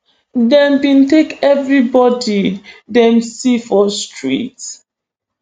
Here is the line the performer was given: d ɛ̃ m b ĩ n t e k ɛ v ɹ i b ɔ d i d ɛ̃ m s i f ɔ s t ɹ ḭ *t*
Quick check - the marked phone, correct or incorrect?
correct